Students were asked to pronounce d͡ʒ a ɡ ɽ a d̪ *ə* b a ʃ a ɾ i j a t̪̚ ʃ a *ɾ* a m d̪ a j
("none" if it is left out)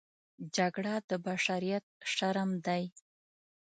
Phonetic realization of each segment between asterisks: ə, ɾ

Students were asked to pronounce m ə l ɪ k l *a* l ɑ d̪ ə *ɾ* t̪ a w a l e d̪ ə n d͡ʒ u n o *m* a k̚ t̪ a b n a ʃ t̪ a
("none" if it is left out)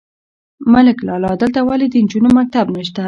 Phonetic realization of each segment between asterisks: ɑ, l, m

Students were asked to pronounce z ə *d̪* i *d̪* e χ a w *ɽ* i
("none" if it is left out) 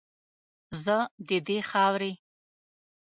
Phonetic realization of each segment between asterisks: d̪, d̪, ɾ

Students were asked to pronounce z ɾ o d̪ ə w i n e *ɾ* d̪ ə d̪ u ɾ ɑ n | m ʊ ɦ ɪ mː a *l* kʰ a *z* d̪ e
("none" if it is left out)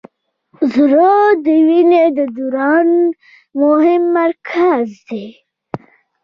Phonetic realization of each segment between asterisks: none, ɾ, z

